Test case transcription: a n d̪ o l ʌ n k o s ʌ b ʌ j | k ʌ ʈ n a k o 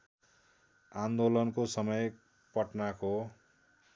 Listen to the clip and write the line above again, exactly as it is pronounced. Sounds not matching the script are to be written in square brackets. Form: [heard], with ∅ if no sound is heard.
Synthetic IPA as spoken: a n d̪ o l ʌ n k o s ʌ [m] ʌ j | [p] ʌ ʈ n a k o